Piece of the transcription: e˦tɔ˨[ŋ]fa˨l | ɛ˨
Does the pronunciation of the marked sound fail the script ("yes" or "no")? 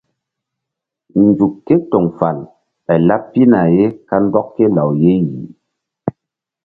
no